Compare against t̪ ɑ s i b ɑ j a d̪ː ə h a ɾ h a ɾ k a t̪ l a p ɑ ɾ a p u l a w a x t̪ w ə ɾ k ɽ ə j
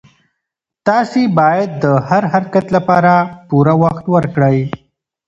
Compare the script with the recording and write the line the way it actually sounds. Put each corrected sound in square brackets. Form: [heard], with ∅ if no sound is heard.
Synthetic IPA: t̪ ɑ s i b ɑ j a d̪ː ə h a ɾ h a ɾ k a t̪ l a p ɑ ɾ a p u [ɾ] a w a x t̪ w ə ɾ k ɽ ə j